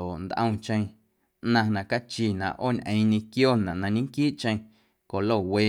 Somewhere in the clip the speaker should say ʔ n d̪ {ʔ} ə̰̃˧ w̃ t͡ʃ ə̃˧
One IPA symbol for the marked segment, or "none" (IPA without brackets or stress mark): ʔ